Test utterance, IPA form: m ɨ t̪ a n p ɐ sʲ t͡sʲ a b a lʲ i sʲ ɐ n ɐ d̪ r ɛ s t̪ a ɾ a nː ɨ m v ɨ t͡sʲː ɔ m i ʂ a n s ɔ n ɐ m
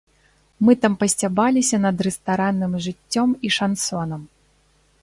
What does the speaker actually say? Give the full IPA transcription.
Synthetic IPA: m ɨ t̪ a m p ɐ sʲ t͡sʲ a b a lʲ i sʲ ɐ n ɐ d̪ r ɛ s t̪ a ɾ a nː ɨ m ʐ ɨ t͡sʲː ɔ m i ʂ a n s ɔ n ɐ m